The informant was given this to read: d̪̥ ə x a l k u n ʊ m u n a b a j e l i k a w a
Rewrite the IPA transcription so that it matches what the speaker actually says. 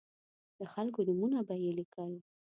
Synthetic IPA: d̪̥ ə x a l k o n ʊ m u n a b a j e l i k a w i